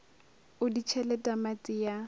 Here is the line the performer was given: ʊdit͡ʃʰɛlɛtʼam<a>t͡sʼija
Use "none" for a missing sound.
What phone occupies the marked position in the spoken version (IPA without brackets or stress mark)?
a